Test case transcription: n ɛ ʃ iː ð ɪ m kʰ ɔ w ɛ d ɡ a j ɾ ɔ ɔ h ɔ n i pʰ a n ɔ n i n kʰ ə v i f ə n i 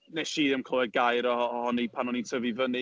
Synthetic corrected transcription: n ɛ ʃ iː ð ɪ m kʰ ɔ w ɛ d ɡ a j ɾ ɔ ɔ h ɔ n i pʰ a n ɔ n i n tʰ ə v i v ə n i